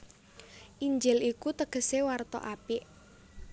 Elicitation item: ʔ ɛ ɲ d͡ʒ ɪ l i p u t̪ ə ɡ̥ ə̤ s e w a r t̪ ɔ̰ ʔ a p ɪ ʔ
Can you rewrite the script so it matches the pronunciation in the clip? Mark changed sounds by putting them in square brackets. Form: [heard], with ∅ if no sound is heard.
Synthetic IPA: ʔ [i] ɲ d͡ʒ ɪ l i [k] u t̪ ə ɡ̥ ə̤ s e w a r t̪ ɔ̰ ʔ a p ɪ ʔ

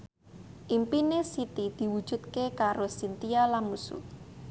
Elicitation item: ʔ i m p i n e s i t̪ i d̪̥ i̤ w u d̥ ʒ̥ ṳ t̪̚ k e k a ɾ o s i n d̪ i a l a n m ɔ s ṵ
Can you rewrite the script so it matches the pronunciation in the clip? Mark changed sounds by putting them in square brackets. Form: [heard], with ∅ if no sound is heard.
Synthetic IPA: ʔ i m p i n e s i t̪ i d̪̥ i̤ w u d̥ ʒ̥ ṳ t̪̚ k e k a ɾ o s i n [t̪] i a l a n m [u] s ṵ

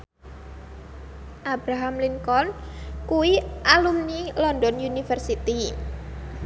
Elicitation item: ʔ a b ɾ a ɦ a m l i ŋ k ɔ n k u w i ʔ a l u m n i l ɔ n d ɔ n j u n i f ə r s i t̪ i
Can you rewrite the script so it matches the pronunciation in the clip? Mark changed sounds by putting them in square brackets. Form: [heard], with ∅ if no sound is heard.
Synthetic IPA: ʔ a b ɾ a ɦ a m l i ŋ k ɔ n k u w i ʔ a l u m n i l ɔ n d ɔ n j u n i f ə r s i t̪ i

